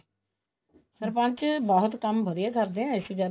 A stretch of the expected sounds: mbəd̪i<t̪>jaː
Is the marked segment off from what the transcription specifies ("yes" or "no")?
yes